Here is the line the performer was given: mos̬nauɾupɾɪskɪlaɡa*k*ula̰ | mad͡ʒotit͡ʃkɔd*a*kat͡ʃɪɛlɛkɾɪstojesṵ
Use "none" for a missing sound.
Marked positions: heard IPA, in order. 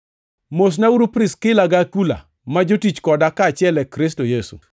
k, a

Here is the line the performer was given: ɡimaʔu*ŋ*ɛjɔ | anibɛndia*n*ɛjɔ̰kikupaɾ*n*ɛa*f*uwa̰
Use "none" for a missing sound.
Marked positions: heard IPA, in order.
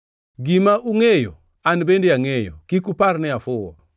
ŋ, ŋ, n, f

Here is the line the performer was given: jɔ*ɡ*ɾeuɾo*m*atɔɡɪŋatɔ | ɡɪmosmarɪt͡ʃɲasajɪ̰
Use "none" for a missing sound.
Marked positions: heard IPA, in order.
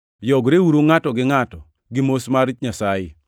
ɡ, ŋ

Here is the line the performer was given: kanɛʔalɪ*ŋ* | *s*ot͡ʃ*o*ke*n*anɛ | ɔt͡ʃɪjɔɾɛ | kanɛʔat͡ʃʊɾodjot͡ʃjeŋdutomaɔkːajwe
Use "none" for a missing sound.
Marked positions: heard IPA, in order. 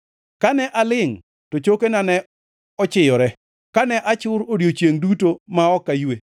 ŋ, t, o, n

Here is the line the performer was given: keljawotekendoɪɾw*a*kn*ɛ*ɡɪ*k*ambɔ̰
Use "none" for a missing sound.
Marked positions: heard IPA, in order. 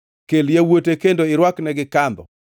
a, ɛ, k

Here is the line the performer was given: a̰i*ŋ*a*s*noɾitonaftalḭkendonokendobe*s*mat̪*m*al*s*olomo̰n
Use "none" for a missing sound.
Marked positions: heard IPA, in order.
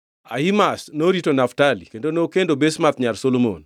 m, s, s, ɲ, s

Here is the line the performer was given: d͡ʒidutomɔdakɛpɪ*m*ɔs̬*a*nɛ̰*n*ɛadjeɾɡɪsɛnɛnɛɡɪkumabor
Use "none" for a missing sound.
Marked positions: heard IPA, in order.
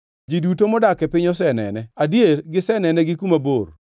ɲ, ɛ, n

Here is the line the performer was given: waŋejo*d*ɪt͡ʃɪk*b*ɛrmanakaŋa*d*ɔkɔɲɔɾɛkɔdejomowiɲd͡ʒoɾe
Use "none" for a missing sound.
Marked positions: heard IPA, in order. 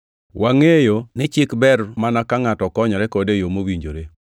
n, b, t

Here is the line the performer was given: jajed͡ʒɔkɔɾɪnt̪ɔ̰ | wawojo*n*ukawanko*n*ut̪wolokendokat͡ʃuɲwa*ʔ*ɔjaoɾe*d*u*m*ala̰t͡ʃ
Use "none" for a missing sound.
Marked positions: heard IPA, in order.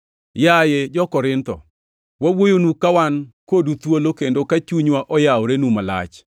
n, d, ʔ, n, m

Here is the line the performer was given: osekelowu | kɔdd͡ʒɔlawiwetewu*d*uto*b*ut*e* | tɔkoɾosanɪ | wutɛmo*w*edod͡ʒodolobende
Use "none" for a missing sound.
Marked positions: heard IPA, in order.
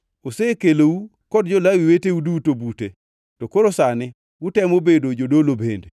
d, b, e, b

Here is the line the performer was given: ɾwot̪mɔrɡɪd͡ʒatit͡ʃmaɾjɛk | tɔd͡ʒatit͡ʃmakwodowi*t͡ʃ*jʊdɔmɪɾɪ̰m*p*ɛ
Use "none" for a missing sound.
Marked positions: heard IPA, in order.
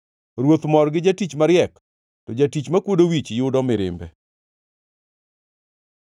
t͡ʃ, b

